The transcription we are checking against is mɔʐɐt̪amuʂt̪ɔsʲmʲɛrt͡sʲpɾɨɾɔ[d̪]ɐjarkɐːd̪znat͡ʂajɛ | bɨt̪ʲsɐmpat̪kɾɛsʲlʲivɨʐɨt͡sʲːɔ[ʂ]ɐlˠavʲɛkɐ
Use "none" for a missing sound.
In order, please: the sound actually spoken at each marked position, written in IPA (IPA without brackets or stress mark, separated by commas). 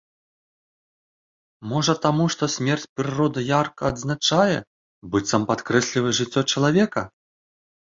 d̪, t͡ʂ